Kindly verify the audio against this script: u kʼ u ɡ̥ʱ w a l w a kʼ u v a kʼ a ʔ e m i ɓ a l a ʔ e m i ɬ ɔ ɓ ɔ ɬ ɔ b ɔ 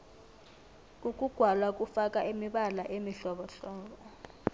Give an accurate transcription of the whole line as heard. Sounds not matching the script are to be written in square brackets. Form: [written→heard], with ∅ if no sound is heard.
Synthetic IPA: u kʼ u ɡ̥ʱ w a l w a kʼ u [v→f] a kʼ a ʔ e m i ɓ a l a ʔ e m i ɬ ɔ ɓ ɔ ɬ [ɔ→ɔː] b ɔ